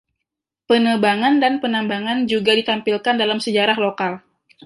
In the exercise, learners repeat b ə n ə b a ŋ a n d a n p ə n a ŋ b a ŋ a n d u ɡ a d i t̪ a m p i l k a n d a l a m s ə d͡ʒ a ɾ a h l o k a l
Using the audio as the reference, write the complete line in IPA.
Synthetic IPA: p ə n ə b a ŋ a n d a n p ə n a m b a ŋ a n d͡ʒ u ɡ a d i t̪ a m p i l k a n d a l a m s ə d͡ʒ a ɾ a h l o k a l